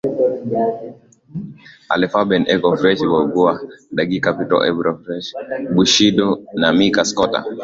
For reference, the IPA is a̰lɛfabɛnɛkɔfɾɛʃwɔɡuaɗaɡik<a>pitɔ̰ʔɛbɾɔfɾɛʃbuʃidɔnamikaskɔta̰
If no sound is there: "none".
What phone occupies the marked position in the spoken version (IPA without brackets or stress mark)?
a